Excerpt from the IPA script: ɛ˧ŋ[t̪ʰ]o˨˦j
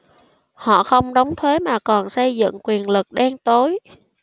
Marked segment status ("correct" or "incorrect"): incorrect